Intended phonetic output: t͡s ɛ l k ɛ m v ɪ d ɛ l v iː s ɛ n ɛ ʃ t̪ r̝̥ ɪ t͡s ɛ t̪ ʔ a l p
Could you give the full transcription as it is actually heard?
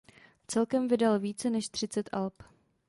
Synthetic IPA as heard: t͡s ɛ l k ɛ m v ɪ d a l v iː t͡s ɛ n ɛ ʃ t̪ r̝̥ ɪ t͡s ɛ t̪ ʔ a l p